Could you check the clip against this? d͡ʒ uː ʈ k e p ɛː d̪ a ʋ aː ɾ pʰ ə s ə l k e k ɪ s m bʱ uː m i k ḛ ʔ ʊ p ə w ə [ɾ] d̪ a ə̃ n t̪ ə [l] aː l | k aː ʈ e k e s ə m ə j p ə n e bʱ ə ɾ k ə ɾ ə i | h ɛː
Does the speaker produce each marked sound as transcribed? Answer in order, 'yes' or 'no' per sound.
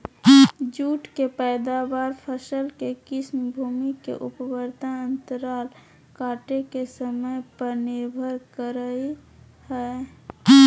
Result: yes, no

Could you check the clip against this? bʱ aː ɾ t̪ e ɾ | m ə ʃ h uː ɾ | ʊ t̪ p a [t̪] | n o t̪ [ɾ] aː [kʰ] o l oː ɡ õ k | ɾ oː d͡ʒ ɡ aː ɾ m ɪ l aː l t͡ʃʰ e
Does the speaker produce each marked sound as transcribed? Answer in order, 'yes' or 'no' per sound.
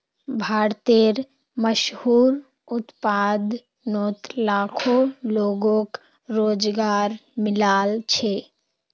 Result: no, no, yes

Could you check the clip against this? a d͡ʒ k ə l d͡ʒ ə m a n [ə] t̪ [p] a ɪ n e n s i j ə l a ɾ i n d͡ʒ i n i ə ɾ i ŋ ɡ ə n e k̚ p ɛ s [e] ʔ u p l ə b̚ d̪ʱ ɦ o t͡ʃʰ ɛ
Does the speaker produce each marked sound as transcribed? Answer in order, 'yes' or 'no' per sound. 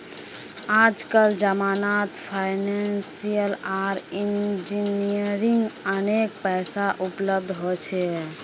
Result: no, no, no

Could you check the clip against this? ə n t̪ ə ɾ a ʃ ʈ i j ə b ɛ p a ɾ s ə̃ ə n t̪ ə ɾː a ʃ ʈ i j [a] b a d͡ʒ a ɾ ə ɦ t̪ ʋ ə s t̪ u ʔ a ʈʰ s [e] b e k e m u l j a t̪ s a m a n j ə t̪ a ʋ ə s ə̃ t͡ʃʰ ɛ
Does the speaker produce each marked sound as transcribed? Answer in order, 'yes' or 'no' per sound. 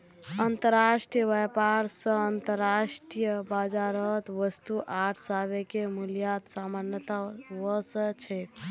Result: no, no

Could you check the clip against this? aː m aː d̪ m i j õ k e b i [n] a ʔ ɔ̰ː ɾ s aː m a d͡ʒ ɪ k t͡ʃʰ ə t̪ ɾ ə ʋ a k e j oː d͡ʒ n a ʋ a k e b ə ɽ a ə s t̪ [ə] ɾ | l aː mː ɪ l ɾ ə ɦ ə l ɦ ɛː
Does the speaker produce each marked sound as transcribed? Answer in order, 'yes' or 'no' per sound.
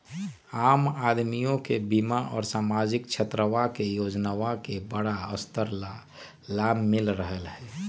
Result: no, yes

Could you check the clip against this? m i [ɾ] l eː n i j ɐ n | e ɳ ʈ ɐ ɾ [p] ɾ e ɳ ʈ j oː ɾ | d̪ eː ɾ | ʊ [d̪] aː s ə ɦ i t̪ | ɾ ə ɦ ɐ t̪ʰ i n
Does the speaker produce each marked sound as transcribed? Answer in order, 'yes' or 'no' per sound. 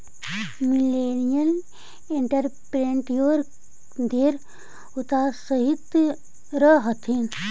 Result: no, yes, no

